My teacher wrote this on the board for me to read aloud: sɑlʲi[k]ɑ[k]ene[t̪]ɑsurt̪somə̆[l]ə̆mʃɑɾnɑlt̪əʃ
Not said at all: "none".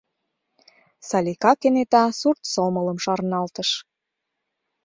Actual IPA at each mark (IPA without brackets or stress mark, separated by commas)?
k, k, t̪, l